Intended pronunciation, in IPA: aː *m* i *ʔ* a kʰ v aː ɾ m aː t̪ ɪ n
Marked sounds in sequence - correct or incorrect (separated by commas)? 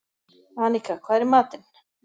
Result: incorrect, incorrect